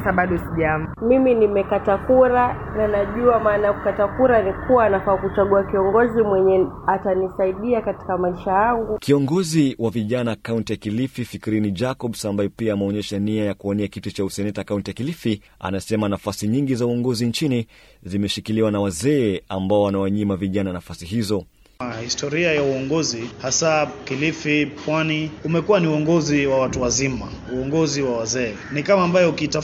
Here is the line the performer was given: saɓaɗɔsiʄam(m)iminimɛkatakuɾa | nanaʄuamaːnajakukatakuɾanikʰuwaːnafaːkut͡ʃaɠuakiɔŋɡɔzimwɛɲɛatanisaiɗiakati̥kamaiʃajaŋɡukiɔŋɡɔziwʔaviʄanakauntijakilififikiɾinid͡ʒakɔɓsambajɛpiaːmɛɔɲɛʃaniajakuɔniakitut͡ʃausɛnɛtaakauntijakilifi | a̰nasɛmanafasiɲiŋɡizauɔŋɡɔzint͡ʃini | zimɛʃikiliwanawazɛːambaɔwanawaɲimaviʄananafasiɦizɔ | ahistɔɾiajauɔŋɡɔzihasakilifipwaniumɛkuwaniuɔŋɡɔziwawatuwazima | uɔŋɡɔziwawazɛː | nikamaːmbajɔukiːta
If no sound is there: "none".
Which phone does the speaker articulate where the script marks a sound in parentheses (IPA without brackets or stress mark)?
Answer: m